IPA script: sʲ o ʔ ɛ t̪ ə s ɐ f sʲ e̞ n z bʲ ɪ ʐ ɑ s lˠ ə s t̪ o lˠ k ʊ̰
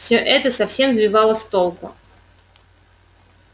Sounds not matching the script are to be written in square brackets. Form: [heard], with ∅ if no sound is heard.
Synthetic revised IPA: sʲ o ʔ ɛ t̪ ə s ɐ f sʲ e̞ [m] z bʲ ɪ [v] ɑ [∅] lˠ ə s t̪ o lˠ k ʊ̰